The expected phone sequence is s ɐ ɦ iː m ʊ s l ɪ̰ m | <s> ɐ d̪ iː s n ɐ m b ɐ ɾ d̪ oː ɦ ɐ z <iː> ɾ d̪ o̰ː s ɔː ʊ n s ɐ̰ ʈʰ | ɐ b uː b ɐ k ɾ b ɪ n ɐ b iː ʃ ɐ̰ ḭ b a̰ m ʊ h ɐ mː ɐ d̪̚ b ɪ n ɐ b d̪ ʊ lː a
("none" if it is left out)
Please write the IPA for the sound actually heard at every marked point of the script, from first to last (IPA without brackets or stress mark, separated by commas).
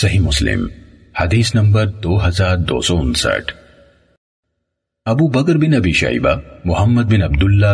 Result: h, aː